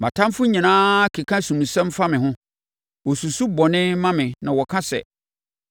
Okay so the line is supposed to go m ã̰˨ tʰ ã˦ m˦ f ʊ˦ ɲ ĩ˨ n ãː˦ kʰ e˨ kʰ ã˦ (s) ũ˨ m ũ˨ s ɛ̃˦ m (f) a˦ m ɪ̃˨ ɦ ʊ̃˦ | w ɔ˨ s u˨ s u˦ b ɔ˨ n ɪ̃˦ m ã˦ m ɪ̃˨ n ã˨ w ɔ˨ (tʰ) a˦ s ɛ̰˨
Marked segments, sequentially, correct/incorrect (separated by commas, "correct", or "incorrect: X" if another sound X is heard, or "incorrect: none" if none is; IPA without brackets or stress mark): correct, correct, incorrect: kʰ